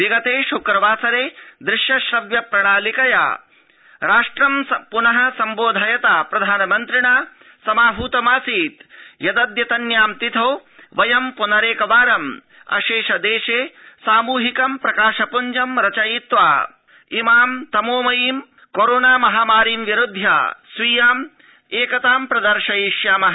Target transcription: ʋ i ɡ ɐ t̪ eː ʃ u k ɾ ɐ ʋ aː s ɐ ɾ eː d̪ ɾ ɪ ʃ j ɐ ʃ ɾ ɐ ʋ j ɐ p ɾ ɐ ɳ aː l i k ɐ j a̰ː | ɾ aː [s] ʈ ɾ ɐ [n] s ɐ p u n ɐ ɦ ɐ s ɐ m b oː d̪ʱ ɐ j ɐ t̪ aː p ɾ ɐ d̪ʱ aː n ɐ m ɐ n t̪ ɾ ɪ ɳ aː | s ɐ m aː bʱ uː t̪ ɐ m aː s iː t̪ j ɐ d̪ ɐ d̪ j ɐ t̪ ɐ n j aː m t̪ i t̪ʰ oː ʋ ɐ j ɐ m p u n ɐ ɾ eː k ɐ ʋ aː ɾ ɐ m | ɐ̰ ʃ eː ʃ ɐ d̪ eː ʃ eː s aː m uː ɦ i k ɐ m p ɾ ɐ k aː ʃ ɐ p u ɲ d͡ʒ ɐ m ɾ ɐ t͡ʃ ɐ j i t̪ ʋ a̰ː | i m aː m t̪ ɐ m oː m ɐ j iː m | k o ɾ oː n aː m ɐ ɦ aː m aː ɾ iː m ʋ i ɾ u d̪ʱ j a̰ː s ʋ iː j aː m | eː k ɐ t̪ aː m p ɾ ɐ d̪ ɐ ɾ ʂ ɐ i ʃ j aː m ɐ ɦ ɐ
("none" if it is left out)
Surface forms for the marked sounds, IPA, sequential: ʂ, m

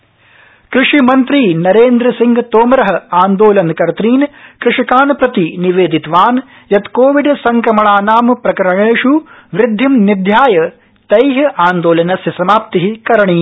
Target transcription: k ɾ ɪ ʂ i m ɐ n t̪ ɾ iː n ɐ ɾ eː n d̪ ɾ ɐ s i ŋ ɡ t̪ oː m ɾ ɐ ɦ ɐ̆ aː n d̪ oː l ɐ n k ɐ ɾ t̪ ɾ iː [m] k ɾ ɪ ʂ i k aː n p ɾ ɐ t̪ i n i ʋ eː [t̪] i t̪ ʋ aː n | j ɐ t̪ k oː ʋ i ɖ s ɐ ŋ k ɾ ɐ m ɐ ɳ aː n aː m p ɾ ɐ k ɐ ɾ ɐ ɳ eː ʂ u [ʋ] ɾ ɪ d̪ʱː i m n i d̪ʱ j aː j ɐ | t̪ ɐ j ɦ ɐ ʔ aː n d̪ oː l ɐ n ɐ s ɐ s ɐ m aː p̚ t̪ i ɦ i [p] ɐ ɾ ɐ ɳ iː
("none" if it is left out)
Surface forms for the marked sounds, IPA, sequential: n, d̪, ʋ, k

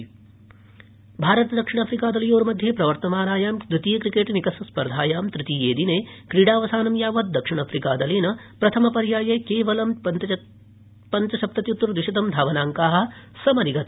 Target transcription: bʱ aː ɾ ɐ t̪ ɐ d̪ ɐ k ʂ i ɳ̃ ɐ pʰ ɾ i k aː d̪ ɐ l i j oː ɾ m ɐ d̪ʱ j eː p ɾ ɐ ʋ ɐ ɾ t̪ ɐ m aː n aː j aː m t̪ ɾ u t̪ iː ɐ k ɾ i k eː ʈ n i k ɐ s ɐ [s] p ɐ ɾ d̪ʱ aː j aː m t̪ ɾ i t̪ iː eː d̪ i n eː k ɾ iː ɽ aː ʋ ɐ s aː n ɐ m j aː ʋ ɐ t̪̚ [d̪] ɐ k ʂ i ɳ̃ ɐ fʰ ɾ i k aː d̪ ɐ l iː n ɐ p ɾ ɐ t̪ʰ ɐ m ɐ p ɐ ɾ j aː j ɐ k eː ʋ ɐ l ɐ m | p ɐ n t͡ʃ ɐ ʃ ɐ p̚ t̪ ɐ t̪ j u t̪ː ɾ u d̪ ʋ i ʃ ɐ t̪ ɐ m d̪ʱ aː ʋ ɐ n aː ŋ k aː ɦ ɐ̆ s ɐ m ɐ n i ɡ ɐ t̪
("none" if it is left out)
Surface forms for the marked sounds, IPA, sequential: s, d̪

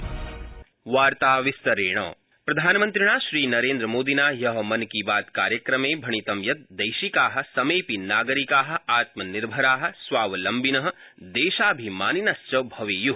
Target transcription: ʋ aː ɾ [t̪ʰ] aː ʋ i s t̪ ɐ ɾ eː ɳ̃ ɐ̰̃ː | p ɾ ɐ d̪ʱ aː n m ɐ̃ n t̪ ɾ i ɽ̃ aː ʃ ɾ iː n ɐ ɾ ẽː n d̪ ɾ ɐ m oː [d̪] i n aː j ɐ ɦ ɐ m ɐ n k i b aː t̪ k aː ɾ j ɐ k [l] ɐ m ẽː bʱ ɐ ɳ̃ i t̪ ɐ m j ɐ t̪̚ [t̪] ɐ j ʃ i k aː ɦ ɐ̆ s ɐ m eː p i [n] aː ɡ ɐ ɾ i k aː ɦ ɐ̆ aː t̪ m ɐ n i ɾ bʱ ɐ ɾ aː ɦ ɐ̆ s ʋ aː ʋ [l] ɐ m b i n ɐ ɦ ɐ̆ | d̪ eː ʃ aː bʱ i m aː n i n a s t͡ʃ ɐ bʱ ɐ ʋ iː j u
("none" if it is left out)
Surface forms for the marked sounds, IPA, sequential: t̪, d̪, ɾ, d̪, n, l

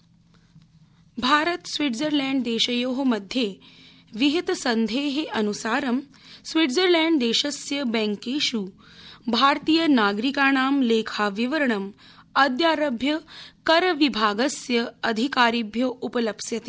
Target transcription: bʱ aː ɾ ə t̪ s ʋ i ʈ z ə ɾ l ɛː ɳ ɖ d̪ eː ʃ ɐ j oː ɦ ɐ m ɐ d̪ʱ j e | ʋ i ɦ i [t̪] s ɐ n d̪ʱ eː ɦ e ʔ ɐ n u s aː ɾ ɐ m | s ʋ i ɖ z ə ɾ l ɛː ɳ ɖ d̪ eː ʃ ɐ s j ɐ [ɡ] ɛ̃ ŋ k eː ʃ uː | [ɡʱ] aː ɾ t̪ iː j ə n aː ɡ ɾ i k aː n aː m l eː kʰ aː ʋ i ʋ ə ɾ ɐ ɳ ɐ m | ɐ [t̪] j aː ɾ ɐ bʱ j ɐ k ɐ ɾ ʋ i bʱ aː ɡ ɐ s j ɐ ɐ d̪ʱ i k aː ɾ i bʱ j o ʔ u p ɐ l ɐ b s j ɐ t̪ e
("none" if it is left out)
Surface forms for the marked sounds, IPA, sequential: t̪, b, bʱ, d̪

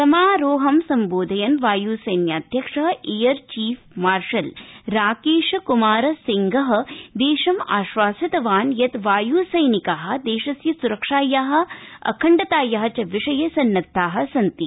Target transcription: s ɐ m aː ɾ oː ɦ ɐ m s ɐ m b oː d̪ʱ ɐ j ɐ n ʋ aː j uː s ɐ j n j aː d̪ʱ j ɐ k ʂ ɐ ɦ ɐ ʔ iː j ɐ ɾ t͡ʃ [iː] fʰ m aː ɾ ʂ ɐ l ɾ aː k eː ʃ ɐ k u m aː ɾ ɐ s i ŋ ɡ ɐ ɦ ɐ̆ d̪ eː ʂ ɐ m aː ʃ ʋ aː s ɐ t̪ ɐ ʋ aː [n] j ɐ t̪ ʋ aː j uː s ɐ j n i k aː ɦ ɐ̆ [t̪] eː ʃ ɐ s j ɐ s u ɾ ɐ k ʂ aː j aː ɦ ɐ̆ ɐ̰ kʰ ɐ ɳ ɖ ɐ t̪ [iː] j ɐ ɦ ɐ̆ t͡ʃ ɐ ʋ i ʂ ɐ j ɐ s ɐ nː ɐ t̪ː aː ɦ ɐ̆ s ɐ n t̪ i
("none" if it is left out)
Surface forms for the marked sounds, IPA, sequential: iː, n, d̪, aː

